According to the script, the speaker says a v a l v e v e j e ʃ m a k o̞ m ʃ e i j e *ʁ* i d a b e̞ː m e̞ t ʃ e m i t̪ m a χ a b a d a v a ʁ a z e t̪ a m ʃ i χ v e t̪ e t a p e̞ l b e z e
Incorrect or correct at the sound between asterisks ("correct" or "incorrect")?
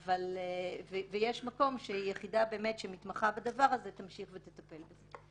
incorrect